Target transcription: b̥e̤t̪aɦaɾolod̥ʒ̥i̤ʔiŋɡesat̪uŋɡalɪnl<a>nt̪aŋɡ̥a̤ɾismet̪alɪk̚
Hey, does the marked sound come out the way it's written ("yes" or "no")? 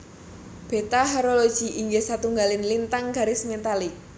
no